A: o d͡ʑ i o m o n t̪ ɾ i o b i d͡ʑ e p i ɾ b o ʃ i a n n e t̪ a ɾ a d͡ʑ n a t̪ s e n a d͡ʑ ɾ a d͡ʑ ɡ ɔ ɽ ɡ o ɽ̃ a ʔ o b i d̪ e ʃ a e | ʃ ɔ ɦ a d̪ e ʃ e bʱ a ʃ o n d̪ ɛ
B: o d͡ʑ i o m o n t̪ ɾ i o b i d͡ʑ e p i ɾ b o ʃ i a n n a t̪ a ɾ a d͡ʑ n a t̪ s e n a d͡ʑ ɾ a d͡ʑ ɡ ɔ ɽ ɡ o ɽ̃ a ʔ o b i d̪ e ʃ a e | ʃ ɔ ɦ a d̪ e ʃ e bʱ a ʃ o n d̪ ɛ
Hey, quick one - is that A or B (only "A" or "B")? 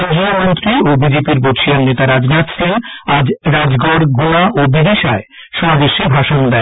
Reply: A